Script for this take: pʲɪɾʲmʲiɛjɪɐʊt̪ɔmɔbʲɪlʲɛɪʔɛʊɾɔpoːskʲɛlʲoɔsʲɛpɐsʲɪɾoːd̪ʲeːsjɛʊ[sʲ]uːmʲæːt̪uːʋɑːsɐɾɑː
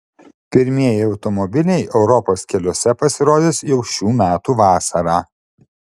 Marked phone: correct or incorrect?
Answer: incorrect